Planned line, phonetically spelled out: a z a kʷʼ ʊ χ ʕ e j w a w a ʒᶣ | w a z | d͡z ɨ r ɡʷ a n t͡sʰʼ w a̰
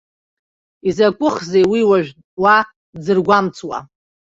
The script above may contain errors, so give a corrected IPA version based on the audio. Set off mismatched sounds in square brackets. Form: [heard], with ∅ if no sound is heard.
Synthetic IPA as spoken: [i] z a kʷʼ ʊ χ [z] e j w [i] w a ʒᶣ | w a [∅] | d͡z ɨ r ɡʷ a [m] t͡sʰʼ w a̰